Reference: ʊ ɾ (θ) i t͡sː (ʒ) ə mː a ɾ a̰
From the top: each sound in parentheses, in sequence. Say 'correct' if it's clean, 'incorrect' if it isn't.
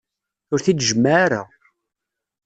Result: correct, correct

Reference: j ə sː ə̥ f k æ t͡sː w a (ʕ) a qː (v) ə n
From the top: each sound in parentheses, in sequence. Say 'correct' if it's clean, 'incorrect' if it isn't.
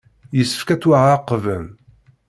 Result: incorrect: ʁ, correct

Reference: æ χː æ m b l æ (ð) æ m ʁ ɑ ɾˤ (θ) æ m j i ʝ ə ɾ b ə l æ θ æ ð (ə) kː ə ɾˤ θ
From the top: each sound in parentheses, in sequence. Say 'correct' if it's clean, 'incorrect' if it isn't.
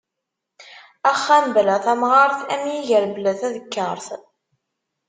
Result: incorrect: θ, correct, correct

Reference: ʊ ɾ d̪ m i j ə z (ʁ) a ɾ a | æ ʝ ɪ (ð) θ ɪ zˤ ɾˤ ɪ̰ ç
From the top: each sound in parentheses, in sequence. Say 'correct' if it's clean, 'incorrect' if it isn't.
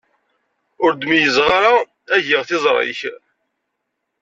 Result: correct, incorrect: ʁ

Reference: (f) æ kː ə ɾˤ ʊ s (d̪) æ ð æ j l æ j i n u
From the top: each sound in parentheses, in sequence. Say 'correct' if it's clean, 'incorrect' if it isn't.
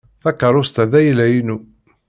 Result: incorrect: θ, incorrect: t̪

